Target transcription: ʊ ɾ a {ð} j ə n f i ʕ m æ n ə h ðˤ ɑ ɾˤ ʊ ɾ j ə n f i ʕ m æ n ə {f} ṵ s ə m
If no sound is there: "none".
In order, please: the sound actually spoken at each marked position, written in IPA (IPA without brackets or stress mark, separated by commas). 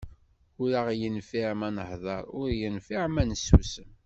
ʁ, s